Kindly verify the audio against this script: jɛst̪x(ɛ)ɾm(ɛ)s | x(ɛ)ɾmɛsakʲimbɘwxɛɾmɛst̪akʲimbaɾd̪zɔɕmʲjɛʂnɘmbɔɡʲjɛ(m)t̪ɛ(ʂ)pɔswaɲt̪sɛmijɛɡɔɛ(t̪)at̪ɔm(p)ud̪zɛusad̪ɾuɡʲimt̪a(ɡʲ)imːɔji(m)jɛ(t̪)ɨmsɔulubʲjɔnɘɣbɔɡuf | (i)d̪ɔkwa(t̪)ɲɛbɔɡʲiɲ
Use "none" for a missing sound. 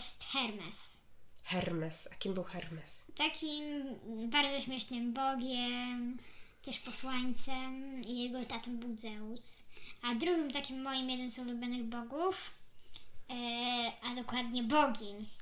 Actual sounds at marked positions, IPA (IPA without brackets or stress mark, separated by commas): ɛ, ɛ, ɛ, m, ʂ, t̪, b, kʲ, m, d̪, a, d̪